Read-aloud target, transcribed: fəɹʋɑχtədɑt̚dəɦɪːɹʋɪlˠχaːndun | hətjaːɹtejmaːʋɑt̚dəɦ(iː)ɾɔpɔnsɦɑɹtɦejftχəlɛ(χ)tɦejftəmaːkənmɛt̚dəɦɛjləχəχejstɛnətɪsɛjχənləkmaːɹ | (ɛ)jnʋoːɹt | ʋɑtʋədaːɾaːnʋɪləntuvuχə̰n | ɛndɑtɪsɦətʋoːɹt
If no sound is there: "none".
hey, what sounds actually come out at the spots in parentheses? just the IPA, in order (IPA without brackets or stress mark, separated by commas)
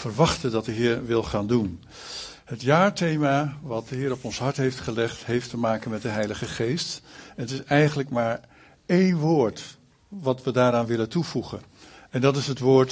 ɪː, χ, e